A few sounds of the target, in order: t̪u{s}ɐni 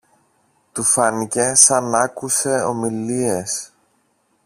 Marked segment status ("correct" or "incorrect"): incorrect